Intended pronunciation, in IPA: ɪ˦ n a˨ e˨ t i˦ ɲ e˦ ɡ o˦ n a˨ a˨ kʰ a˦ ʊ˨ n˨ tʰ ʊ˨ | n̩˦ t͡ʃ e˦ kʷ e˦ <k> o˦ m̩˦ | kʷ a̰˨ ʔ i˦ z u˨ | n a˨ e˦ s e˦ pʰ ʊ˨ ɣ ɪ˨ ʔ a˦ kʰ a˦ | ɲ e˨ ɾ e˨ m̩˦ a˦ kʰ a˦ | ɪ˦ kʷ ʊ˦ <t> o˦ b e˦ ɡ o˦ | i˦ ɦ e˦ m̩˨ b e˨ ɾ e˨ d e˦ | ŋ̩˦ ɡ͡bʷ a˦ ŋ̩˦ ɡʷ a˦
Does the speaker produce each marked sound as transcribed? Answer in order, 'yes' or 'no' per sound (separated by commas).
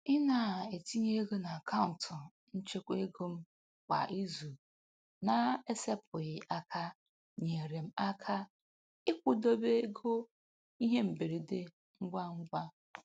no, no